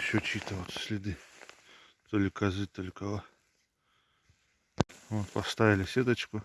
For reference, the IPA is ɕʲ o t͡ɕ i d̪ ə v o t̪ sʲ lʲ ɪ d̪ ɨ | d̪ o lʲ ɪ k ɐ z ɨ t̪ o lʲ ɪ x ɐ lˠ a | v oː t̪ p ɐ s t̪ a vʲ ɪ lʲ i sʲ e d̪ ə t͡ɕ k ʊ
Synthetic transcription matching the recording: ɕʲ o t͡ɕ i t̪ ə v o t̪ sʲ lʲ ɪ d̪ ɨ | t̪ o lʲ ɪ k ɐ z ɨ t̪ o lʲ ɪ k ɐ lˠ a | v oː t̪ p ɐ s t̪ a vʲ ɪ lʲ ɪ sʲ e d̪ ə t͡ɕ k ʊ